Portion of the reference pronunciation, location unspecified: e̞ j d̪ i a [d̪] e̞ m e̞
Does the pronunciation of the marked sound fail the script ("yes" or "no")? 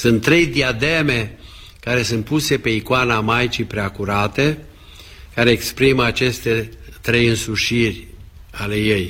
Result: no